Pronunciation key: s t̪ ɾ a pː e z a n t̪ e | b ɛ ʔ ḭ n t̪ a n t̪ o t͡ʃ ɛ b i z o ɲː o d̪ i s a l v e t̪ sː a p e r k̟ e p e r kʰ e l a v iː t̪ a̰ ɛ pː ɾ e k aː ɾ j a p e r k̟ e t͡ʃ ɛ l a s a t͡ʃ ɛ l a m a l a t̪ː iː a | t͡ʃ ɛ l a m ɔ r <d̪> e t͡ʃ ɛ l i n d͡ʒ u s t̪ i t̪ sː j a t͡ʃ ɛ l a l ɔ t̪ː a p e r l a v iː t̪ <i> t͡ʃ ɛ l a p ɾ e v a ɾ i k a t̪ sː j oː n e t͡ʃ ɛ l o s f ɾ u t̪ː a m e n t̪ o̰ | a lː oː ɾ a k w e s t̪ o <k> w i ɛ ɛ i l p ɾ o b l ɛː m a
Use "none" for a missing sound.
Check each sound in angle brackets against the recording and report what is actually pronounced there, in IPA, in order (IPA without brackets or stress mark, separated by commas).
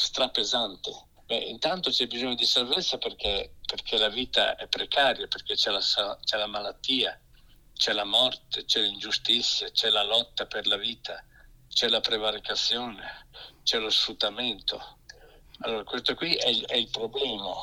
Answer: t̪, a, k